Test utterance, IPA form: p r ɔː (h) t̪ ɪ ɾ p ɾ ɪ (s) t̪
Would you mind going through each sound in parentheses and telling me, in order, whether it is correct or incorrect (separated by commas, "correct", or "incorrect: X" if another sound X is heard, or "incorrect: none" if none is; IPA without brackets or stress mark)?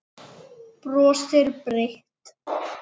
incorrect: s, incorrect: h